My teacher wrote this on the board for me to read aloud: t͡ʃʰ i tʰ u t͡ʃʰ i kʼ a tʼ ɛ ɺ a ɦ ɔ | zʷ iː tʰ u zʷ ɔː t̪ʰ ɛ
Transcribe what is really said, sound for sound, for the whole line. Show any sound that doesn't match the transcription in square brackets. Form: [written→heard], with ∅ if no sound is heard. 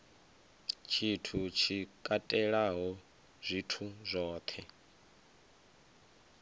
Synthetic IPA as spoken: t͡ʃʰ i tʰ u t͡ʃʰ i kʼ a tʼ ɛ ɺ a ɦ ɔ | zʷ [iː→i] tʰ u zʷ ɔː t̪ʰ ɛ